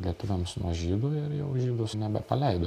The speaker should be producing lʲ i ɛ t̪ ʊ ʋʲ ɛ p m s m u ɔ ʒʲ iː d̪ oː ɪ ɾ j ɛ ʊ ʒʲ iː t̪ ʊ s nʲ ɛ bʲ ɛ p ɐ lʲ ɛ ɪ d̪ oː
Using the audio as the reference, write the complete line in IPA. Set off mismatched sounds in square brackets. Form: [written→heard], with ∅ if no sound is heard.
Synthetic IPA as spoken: lʲ i ɛ t̪ ʊ ʋʲ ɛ [p→∅] m s [m→n] u ɔ ʒʲ iː d̪ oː ɪ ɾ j ɛ ʊ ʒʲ iː [t̪→d̪] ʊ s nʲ ɛ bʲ ɛ p ɐ lʲ ɛ ɪ d̪ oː